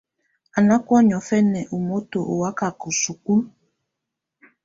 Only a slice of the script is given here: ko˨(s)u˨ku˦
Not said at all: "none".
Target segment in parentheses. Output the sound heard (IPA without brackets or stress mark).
s